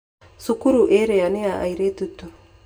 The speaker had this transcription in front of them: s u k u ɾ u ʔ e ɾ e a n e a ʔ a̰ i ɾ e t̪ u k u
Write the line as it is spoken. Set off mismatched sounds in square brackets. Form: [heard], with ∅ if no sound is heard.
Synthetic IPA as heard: s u k u ɾ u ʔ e ɾ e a n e a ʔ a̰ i ɾ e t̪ u [t] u